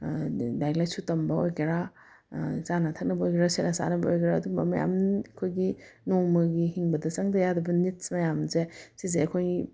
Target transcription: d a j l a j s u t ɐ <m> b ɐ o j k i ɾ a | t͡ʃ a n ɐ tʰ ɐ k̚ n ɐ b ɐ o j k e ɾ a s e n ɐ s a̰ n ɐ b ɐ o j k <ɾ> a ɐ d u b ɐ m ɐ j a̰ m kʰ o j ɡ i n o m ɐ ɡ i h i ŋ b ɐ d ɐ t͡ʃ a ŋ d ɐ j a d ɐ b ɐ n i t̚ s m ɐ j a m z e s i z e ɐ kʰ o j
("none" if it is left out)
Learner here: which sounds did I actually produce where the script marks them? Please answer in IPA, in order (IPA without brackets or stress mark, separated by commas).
m, ɾ